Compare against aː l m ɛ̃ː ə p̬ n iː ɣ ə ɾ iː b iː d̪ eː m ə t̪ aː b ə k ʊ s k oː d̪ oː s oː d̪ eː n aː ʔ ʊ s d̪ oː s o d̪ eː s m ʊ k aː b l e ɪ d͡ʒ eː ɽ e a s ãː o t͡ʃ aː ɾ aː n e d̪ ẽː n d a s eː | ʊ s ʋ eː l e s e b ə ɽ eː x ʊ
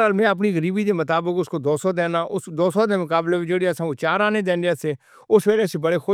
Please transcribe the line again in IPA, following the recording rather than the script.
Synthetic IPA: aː l m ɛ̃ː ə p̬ n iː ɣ ə ɾ iː b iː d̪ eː m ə t̪ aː b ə k ʊ s k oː d̪ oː s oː d̪ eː n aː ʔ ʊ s d̪ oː s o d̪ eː m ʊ k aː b l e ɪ d͡ʒ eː ɽ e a s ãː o t͡ʃ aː ɾ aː n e d̪ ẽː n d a s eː | ʊ s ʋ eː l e s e b ə ɽ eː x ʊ